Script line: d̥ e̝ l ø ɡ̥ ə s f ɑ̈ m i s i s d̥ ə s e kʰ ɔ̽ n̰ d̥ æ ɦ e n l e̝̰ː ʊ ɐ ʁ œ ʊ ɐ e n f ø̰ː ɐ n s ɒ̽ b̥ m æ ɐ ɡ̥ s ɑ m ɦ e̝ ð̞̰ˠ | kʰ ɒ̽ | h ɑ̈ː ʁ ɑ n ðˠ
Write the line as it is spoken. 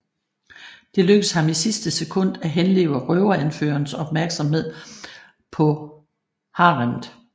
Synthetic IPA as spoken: d̥ e̝ l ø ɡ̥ ə s h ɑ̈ m i s i s d̥ ə s e kʰ ɔ̽ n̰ d̥ æ ɦ e n l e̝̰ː ʊ ɐ ʁ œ ʊ ɐ æ n f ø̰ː ɐ n s ɒ̽ b̥ m æ ɐ ɡ̥ s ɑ m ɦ e̝ ð̞̰ˠ | pʰ ɒ̽ | h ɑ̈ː ʁ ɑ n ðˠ